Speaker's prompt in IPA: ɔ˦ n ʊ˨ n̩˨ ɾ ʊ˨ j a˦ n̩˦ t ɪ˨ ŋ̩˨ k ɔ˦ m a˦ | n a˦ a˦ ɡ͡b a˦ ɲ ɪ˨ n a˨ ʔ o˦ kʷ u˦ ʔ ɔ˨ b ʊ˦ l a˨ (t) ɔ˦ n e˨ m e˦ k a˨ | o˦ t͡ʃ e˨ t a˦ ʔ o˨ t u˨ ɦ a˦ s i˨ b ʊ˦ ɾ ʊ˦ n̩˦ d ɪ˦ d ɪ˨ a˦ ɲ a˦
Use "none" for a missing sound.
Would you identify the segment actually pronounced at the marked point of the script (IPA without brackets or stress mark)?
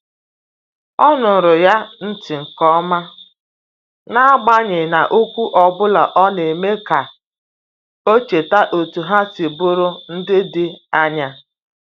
ʔ